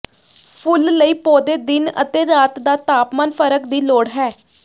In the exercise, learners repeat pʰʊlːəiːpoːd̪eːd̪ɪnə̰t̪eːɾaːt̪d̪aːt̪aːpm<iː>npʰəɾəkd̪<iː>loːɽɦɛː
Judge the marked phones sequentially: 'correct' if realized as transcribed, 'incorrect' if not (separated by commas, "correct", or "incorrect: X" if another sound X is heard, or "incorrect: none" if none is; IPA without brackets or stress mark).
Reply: incorrect: aː, correct